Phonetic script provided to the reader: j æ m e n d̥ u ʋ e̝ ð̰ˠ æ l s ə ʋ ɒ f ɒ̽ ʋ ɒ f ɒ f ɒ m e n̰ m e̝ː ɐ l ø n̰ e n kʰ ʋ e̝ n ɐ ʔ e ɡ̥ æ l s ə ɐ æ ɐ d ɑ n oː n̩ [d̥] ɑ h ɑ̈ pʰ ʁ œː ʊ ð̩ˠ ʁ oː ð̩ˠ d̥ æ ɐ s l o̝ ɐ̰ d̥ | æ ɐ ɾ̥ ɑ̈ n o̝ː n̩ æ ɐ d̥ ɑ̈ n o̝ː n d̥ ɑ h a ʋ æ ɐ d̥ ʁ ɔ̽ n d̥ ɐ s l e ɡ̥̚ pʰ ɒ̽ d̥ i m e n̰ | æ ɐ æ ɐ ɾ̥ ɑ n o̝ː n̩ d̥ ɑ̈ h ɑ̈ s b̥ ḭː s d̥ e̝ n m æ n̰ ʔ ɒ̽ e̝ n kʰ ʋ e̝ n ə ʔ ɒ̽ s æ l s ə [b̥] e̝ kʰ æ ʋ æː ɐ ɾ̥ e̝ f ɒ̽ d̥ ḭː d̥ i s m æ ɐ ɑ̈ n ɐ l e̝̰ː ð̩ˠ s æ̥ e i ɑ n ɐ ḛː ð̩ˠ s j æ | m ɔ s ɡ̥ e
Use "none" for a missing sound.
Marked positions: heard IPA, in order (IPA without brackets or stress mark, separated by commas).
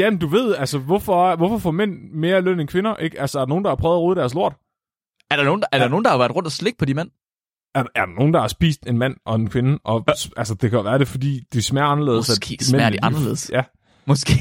d̥, d̥